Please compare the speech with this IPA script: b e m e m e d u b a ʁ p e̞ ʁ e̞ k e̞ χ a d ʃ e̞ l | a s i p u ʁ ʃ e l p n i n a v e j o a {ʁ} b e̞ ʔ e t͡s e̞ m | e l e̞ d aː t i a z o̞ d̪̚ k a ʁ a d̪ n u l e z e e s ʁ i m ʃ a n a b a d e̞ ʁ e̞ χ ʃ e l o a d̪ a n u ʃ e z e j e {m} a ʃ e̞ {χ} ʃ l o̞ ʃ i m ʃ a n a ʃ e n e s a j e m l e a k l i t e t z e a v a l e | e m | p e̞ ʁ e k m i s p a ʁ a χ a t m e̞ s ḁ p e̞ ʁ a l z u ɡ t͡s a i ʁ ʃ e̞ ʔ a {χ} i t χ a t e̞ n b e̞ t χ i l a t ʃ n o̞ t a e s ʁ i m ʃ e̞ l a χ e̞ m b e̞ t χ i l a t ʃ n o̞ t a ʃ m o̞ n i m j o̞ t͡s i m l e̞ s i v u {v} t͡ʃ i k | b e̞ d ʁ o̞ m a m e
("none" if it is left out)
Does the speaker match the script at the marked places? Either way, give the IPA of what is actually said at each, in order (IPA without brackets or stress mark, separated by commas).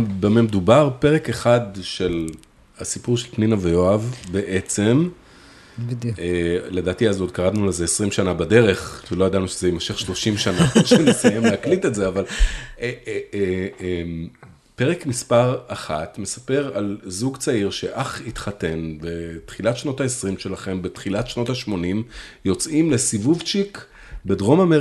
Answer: v, m, χ, χ, v